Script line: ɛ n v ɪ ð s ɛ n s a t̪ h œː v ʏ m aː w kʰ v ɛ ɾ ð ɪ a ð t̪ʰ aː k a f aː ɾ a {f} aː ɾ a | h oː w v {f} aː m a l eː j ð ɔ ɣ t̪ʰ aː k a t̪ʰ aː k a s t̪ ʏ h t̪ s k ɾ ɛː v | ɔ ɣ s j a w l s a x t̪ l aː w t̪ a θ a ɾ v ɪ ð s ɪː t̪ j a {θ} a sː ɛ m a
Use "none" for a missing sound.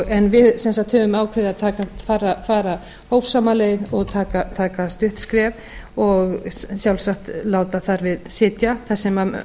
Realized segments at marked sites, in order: f, s, θ

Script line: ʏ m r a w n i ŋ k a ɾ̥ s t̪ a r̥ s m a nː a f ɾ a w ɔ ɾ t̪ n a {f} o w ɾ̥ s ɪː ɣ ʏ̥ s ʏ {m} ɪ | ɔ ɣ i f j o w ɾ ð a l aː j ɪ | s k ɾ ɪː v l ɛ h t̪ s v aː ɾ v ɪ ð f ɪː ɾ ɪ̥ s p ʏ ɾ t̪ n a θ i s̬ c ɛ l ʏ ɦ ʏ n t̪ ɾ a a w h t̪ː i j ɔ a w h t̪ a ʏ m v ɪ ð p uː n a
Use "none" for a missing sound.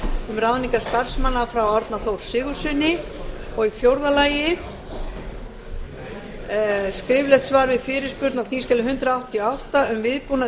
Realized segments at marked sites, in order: θ, n

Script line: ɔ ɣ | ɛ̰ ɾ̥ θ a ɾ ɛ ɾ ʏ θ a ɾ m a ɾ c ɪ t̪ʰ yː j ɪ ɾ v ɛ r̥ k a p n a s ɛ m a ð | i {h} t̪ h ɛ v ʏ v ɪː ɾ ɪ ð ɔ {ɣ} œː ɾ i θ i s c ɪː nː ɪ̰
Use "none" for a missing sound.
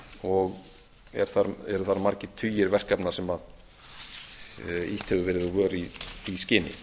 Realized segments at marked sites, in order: h, v

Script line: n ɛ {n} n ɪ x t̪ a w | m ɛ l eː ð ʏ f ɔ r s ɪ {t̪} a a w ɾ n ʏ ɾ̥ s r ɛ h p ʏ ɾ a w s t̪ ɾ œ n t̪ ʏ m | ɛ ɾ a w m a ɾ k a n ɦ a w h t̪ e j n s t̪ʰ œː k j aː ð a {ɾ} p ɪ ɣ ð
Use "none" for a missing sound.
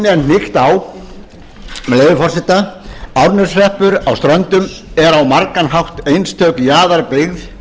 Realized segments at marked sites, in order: n, t̪, ɾ

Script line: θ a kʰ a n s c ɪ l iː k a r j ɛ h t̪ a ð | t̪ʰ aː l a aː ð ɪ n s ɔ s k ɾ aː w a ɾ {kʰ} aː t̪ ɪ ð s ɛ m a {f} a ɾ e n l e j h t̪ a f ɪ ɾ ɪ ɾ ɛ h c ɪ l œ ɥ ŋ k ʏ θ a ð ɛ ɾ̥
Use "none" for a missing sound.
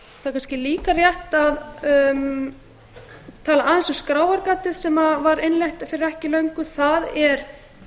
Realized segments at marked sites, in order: k, v

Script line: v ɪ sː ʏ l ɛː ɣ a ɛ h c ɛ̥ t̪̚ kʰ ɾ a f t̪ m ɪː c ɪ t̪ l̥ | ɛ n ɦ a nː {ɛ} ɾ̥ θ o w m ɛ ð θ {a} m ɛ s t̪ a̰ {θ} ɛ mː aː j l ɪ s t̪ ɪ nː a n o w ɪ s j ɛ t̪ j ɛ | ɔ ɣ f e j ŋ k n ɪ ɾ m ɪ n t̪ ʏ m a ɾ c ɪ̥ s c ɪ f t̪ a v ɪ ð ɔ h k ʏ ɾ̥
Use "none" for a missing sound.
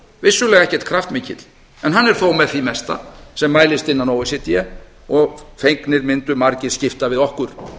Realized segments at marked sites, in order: ɛ, i, s

